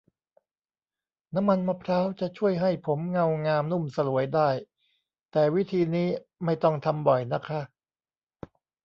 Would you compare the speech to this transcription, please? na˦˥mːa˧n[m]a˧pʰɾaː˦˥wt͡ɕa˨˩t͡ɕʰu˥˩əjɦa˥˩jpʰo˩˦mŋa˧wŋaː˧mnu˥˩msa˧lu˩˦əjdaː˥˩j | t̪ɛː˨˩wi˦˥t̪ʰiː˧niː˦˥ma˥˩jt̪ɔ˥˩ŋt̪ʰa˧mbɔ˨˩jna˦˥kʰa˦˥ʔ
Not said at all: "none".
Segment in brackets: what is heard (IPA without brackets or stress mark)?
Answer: m